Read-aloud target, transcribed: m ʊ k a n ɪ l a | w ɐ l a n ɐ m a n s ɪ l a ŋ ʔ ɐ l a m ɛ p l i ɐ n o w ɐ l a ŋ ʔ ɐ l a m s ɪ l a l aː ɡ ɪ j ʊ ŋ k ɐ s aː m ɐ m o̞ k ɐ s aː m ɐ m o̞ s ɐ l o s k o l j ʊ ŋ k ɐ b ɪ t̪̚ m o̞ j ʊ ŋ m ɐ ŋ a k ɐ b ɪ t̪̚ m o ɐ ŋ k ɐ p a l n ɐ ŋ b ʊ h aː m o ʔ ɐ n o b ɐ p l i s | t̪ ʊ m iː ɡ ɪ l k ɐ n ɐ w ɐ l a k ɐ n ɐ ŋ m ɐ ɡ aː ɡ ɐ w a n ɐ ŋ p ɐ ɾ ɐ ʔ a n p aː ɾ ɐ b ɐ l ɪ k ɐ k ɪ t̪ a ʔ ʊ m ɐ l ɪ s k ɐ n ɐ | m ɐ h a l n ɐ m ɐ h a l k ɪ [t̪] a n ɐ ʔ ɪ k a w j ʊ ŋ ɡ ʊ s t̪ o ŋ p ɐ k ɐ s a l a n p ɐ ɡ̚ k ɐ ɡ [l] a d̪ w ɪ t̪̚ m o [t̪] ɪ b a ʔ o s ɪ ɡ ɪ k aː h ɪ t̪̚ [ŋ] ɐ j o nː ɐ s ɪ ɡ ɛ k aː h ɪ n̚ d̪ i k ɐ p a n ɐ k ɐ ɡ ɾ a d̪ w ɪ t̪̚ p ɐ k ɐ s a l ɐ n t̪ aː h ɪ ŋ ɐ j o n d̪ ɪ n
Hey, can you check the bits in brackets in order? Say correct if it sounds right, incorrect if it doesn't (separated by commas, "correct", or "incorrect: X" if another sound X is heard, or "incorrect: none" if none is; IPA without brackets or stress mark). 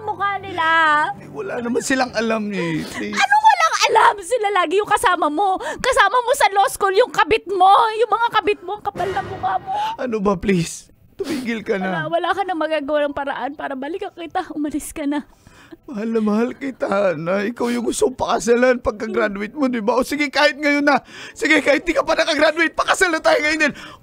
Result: correct, incorrect: ɾ, incorrect: d̪, correct